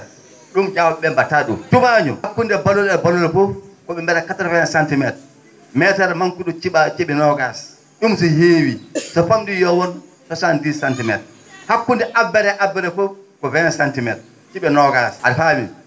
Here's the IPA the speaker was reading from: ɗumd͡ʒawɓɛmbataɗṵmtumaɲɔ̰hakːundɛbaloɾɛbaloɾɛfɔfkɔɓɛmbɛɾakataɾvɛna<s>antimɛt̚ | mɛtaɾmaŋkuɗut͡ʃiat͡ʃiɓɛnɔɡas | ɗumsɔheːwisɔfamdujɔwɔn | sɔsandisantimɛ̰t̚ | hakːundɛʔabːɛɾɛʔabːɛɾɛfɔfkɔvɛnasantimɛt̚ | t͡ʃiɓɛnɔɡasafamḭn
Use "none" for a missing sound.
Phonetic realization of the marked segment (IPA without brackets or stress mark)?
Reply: s